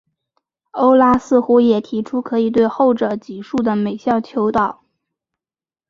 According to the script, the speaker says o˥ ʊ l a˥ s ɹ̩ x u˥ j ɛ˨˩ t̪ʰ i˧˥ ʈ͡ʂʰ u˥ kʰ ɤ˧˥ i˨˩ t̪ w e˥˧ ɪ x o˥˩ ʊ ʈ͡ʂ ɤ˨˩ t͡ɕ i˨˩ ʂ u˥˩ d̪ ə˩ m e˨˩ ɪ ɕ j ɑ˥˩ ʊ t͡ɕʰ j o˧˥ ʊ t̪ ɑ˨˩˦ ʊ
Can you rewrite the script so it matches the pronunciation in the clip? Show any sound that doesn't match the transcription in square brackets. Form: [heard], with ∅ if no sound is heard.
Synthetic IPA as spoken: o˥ ʊ l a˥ s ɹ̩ x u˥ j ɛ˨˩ t̪ʰ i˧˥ ʈ͡ʂʰ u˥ kʰ ɤ˧˥ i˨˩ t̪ w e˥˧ ɪ x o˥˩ ʊ ʈ͡ʂ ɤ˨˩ t͡ɕ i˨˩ ʂ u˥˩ d̪ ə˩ m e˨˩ ɪ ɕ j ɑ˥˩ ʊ t͡ɕʰ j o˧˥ ʊ t̪ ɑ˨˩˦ ʊ